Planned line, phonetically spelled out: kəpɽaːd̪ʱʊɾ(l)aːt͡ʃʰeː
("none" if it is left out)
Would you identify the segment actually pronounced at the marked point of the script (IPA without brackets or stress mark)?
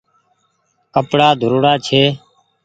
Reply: ɽ